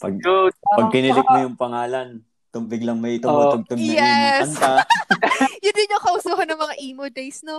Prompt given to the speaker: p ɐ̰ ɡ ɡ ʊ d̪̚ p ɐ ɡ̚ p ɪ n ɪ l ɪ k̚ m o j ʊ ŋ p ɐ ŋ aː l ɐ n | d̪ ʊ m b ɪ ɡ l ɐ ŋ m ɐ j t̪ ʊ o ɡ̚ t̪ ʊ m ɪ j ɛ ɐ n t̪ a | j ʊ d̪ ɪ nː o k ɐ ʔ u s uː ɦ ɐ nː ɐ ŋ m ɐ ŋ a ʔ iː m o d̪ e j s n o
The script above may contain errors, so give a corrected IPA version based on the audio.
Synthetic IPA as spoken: p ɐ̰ ɡ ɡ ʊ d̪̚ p ɐ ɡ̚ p ɪ n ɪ l ɪ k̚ m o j ʊ ŋ p ɐ ŋ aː l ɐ n | t̪ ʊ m b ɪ ɡ l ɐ ŋ m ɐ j t̪ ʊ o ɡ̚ t̪ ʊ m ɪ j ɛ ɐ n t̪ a | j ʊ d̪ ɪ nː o k ɐ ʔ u s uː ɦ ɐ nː ɐ ŋ m ɐ ŋ a ʔ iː m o d̪ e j s n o